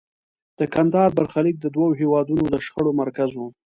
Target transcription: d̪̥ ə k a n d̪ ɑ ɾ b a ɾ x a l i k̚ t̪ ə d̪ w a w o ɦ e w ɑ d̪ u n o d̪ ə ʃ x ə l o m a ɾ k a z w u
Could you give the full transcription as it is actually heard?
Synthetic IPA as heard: d̪̥ ə k a n d̪ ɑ ɾ b a ɾ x a l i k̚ d̪ ə d̪ w a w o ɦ e w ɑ d̪ u n o d̪ ə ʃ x ə ɽ o m a ɾ k a z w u